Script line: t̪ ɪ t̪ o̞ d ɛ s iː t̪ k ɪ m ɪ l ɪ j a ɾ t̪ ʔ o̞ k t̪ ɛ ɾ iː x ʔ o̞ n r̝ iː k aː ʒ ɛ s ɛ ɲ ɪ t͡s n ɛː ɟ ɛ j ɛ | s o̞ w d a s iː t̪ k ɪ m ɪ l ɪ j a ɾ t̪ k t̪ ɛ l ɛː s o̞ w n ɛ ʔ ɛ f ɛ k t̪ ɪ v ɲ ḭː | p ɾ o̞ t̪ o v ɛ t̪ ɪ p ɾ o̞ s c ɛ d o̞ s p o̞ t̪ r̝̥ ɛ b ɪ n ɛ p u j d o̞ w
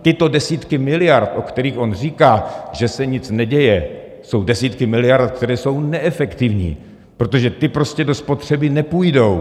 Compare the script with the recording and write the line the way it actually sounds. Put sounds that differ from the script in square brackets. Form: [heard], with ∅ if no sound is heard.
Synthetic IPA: t̪ ɪ t̪ o̞ d ɛ s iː t̪ k ɪ m ɪ l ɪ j a ɾ t̪ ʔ o̞ k t̪ ɛ ɾ iː x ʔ o̞ n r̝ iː k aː ʒ ɛ s ɛ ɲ ɪ t͡s n [ɛ] ɟ ɛ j ɛ | s o̞ w d [ɛ] s iː t̪ k ɪ m ɪ l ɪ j a ɾ t̪ k t̪ ɛ [ɾ] ɛː s o̞ w n ɛ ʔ ɛ f ɛ k t̪ ɪ v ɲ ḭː | p ɾ o̞ t̪ o [ʒ] ɛ t̪ ɪ p ɾ o̞ s c ɛ d o̞ s p o̞ t̪ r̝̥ ɛ b ɪ n ɛ p u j d o̞ w